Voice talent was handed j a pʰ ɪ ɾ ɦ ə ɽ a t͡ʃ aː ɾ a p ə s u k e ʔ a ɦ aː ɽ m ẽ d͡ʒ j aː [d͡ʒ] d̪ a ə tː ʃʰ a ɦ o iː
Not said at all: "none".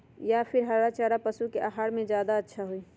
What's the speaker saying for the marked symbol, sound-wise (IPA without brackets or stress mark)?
none